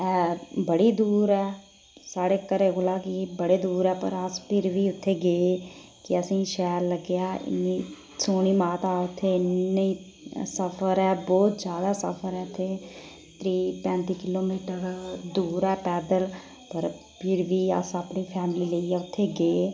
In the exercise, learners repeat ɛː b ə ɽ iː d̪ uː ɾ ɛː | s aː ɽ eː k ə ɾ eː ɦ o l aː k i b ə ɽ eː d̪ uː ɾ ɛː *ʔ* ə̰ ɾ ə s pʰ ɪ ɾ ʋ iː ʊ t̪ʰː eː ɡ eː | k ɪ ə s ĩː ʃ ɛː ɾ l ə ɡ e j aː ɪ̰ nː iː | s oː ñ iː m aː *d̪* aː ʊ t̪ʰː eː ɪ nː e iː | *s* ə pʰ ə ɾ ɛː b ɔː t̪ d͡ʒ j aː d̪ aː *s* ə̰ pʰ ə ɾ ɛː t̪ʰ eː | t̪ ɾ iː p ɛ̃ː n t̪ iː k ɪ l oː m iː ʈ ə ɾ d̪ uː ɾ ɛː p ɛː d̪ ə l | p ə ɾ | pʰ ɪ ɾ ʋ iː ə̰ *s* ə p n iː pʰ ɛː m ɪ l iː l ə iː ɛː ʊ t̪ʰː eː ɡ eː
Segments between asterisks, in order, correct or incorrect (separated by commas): incorrect, incorrect, correct, correct, correct